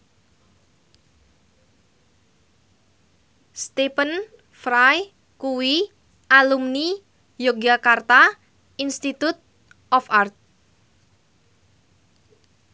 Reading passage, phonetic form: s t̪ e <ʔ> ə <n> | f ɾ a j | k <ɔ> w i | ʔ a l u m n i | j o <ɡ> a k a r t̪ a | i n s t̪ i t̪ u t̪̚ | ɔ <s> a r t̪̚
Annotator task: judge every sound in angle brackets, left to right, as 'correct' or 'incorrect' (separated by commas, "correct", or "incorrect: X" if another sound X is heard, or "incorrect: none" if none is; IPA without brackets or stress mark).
incorrect: p, correct, incorrect: u, correct, incorrect: f